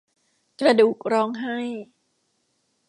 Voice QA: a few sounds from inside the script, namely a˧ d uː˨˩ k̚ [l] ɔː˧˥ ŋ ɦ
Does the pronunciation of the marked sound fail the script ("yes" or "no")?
yes